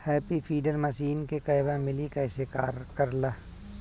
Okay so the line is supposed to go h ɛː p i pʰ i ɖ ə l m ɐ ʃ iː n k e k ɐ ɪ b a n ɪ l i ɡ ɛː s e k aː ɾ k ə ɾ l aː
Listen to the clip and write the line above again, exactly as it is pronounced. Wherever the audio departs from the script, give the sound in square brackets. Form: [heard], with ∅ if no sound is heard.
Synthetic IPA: h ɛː p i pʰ [iː] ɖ ə [ɾ] m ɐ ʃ iː n k e k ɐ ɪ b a [m] ɪ l i [k] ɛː s e k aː ɾ k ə ɾ l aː